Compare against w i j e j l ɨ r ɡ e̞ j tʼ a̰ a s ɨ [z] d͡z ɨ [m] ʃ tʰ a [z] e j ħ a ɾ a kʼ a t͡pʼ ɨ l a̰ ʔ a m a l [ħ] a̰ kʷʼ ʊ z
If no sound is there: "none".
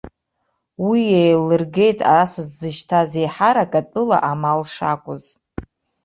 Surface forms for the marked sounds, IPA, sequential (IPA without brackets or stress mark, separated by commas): z, none, z, ʂ